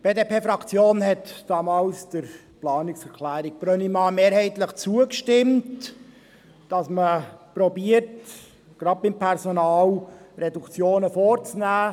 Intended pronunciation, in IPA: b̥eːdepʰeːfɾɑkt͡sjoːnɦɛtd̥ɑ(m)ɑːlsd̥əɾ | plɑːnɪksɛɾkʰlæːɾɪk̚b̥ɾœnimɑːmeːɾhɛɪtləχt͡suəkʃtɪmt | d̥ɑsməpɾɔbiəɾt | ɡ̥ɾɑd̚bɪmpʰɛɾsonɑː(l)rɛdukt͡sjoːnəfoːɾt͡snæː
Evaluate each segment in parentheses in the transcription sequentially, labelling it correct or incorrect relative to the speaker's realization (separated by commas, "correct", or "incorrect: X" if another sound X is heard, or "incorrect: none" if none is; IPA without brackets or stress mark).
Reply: correct, correct